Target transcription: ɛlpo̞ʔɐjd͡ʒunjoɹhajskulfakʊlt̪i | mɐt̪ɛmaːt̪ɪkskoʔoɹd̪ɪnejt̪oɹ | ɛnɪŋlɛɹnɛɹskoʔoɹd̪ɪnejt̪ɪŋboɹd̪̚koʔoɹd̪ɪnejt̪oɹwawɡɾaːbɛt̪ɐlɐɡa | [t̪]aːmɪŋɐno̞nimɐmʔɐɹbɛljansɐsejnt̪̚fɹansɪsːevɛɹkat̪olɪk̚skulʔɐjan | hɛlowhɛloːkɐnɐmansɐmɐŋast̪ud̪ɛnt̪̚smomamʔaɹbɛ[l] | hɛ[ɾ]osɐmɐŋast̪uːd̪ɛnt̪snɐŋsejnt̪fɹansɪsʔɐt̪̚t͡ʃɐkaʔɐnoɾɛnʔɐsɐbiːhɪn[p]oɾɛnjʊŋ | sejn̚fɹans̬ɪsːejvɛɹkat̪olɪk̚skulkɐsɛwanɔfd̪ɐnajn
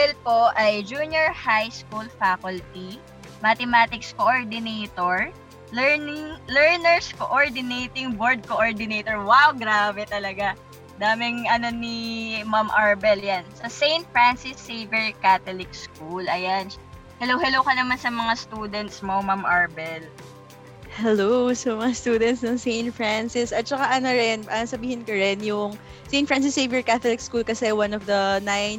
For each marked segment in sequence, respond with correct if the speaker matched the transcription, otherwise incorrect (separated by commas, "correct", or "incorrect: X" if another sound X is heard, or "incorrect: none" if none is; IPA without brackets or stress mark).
incorrect: d̪, correct, incorrect: l, incorrect: k